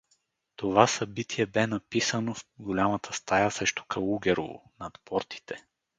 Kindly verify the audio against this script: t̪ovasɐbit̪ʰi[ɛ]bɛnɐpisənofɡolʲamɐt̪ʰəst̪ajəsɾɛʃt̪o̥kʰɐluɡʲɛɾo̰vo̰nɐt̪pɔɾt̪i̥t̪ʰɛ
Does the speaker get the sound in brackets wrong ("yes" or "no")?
no